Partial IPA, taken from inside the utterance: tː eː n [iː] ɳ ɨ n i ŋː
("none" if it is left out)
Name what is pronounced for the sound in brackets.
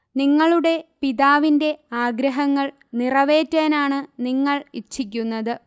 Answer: aː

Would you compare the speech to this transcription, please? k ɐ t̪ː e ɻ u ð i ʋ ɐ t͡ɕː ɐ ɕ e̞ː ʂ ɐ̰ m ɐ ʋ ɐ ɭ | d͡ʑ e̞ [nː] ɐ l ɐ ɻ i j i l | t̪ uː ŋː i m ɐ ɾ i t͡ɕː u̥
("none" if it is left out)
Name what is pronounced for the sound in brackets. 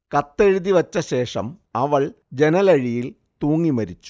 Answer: n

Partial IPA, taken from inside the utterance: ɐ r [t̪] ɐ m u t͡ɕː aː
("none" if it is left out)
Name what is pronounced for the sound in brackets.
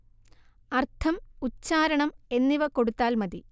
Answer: t̪ʰ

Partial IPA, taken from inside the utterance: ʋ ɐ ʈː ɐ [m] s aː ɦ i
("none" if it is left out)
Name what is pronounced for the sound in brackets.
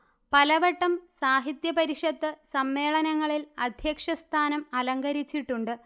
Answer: m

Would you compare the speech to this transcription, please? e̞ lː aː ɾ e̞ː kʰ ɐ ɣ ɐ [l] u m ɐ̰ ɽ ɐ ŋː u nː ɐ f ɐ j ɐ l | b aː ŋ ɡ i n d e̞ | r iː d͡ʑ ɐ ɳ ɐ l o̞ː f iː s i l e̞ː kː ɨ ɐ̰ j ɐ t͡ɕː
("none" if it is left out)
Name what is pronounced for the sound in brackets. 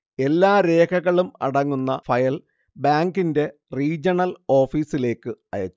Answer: ɭ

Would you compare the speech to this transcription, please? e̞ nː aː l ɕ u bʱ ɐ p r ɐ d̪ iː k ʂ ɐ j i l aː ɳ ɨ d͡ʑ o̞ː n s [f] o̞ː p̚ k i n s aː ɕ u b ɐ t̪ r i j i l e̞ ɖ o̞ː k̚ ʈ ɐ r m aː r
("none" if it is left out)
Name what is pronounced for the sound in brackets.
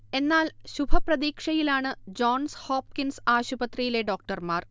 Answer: h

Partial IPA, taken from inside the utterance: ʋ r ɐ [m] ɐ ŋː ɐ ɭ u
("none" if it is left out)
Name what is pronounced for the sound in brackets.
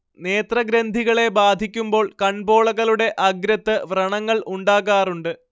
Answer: ɳ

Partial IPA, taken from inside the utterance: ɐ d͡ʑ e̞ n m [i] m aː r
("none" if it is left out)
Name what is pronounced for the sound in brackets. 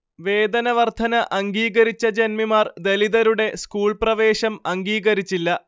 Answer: i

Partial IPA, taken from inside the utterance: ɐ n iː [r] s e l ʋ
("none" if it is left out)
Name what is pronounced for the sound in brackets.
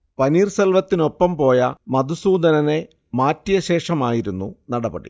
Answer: r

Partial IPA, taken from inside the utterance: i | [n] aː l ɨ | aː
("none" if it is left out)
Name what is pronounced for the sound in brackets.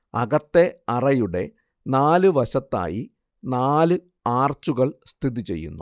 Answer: n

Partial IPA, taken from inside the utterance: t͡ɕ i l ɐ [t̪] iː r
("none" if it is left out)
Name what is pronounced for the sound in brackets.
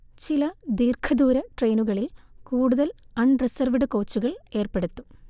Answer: d̪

